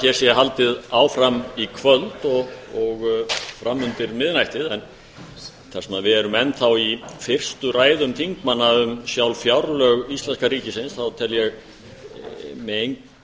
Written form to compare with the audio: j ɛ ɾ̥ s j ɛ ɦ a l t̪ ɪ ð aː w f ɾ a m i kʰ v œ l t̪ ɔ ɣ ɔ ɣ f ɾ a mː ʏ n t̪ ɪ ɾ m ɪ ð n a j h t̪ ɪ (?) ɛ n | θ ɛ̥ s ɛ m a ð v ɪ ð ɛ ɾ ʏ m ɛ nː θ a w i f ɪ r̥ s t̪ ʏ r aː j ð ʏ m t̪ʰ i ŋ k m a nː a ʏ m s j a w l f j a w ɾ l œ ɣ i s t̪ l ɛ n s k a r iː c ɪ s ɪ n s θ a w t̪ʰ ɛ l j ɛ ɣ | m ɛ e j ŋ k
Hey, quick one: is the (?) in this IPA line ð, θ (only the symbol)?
ð